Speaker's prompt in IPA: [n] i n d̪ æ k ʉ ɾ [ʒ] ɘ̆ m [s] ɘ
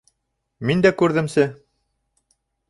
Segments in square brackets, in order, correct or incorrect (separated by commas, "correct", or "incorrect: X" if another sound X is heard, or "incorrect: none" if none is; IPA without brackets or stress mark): incorrect: m, incorrect: ð, correct